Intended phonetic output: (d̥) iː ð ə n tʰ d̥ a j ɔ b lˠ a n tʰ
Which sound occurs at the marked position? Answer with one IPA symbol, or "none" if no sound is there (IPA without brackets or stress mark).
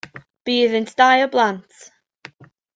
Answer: b̥